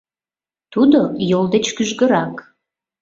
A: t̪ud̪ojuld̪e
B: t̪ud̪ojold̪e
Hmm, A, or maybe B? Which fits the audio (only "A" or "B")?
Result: B